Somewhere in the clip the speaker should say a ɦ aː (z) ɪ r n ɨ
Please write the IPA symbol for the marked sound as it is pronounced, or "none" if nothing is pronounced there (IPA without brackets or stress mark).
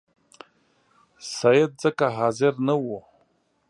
z